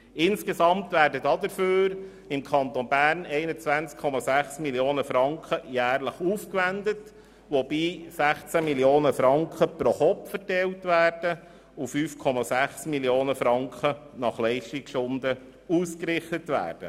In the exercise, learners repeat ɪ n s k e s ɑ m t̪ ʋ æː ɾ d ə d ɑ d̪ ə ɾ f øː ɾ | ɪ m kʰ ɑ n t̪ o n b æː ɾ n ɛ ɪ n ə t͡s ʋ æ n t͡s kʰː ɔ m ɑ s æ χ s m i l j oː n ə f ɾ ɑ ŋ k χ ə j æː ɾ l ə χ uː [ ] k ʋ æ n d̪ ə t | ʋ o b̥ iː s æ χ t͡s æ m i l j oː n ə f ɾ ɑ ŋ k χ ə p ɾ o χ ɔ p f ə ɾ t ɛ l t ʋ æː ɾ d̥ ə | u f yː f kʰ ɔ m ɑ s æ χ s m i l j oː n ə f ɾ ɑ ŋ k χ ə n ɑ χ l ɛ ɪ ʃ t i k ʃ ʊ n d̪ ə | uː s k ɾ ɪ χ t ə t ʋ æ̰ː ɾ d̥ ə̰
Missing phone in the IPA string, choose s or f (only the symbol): f